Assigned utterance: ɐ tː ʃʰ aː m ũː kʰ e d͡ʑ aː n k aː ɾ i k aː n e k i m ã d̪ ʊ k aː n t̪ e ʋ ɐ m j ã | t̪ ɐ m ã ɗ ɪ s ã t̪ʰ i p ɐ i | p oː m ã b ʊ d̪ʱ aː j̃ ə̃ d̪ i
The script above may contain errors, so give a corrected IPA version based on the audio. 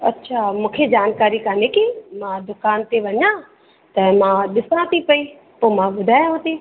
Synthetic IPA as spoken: ɐ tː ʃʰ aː m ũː kʰ e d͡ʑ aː n k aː ɾ i k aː n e k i m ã d̪ ʊ k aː n t̪ e ʋ ɐ ɲ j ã | t̪ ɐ m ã ɗ ɪ s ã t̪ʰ i p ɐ i | p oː m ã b ʊ d̪ʱ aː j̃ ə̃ t̪ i